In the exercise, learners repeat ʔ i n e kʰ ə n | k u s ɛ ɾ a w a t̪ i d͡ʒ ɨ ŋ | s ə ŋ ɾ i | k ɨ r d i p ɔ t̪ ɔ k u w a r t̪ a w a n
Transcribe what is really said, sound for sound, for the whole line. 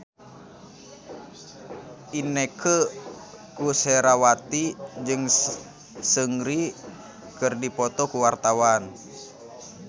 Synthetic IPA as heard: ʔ i n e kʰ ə | k u s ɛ ɾ a w a t̪ i d͡ʒ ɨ ŋ | s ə ŋ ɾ i | k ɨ r d i p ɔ t̪ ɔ k u w a r t̪ a w a n

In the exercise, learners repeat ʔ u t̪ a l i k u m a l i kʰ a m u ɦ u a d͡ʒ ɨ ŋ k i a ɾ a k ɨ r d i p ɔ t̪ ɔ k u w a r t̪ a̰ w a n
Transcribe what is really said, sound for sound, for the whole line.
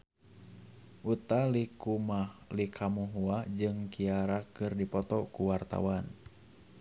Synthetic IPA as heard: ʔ u t̪ a l i k u m a l i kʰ a m u ɦ u a d͡ʒ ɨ ŋ k i a ɾ a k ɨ r d i p ɔ t̪ ɔ k u w a r t̪ a̰ w a n

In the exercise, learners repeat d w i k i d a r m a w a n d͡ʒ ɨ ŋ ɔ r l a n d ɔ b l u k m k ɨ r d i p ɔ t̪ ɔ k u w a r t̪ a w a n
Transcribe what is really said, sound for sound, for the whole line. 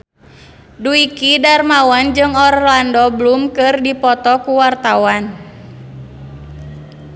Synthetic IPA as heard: d u i k i d a r m a w a n d͡ʒ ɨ ŋ ɔ r l a n d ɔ b l u m k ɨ r d i p ɔ t̪ ɔ k u w a r t̪ a w a n

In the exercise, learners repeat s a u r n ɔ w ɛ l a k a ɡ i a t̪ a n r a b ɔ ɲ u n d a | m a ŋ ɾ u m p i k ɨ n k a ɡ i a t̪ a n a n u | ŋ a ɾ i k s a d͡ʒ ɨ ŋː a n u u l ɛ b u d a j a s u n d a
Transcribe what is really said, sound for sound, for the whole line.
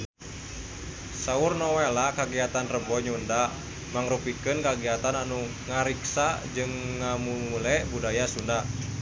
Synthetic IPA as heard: s a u r n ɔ w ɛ l a k a ɡ i a t̪ a n r ə b ɔ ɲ u n d a | m a ŋ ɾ u p i k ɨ n k a ɡ i a t̪ a n a n u | ŋ a ɾ i k s a d͡ʒ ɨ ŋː a m u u l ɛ b u d a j a s u n d a

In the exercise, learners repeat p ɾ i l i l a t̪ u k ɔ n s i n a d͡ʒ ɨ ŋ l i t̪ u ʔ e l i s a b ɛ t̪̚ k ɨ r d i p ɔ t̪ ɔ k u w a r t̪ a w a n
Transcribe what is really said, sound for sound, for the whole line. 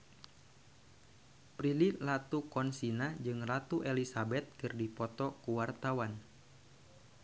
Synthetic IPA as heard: p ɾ i l i l a t̪ u k ɔ n s i n a d͡ʒ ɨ ŋ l a t̪ u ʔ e l i s a b ɛ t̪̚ k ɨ r d i p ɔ t̪ ɔ k u w a r t̪ a w a n

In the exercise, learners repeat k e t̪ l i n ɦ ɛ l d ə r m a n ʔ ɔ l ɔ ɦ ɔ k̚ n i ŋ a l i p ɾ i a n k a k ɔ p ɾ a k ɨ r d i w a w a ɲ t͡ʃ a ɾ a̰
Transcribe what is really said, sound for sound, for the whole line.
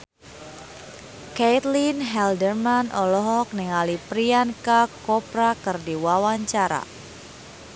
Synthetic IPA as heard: k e t̪ l i n ɦ ɛ l d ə r m a n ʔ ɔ l ɔ ɦ ɔ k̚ n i ŋ a l i p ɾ i a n k a k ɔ p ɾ a k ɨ r d i w a w a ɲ t͡ʃ a ɾ a̰

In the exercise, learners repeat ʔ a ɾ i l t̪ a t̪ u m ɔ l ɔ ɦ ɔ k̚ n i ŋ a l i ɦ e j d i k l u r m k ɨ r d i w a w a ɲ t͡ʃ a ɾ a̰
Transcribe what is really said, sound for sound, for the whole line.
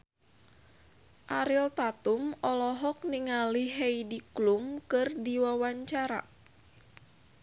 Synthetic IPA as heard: ʔ a ɾ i l t̪ a t̪ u m ɔ l ɔ ɦ ɔ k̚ n i ŋ a l i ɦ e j d i k l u m k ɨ r d i w a w a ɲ t͡ʃ a ɾ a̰

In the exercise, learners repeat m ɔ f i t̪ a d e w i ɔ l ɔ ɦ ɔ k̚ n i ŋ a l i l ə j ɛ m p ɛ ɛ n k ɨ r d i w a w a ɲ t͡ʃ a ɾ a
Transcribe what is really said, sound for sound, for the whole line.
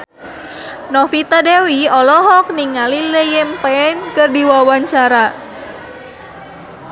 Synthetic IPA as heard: n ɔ f i t̪ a d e w i ɔ l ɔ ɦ ɔ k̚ n i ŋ a l i l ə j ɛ m p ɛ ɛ n k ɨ r d i w a w a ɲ t͡ʃ a ɾ a

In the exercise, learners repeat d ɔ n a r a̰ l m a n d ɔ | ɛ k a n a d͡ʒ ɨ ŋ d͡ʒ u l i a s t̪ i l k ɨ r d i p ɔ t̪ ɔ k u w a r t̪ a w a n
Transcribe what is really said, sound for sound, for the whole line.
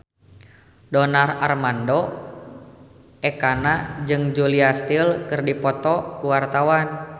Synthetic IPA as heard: d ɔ n a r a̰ r m a n d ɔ | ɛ k a n a d͡ʒ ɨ ŋ d͡ʒ u l i a s t̪ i l k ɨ r d i p ɔ t̪ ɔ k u w a r t̪ a w a n

